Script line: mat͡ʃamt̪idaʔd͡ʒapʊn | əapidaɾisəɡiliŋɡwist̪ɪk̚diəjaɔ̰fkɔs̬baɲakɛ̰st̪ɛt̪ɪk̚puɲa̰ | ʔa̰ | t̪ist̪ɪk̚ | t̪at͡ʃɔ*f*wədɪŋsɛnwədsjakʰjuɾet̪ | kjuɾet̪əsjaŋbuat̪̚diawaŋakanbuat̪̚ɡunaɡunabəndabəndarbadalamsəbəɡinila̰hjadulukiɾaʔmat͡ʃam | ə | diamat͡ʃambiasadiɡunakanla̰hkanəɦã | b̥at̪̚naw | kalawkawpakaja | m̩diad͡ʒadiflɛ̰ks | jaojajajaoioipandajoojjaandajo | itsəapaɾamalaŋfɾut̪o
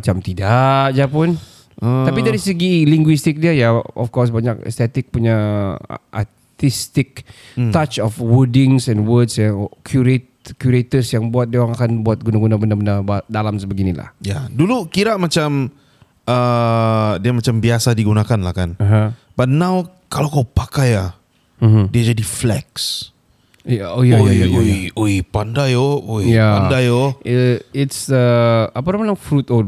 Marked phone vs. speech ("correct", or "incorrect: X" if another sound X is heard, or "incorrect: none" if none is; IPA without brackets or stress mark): correct